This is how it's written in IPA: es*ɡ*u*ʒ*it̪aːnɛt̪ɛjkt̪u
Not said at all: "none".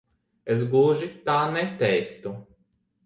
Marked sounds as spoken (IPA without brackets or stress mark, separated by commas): ɡ, ʒ